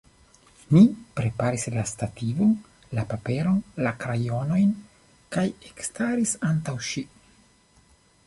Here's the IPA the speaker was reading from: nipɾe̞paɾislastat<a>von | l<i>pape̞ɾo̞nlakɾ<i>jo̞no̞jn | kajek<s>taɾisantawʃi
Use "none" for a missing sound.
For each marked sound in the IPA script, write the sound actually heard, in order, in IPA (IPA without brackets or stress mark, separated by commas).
i, a, a, s